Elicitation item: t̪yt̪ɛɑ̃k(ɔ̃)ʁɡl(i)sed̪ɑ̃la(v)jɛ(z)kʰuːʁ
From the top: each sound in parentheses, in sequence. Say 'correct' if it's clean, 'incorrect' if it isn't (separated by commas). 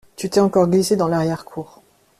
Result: incorrect, correct, incorrect, incorrect